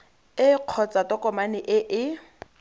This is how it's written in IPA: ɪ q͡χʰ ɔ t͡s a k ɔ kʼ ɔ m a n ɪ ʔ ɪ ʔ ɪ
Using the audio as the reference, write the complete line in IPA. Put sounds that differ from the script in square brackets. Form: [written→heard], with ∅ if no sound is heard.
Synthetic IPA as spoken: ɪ q͡χʰ ɔ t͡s a [k→t] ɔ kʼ ɔ m a n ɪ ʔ ɪ ʔ ɪ